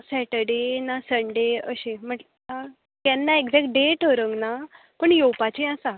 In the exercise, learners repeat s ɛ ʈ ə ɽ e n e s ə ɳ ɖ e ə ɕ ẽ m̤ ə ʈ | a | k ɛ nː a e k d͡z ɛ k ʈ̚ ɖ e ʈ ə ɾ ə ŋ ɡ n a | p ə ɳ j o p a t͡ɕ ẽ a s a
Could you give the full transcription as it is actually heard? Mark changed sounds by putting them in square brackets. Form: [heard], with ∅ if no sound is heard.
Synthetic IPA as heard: s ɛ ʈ ə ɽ e n [a] s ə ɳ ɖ e ə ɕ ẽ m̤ ə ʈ | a | k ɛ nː a e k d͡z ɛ k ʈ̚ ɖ e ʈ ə ɾ ə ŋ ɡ n a | p ə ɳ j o p a t͡ɕ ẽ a s a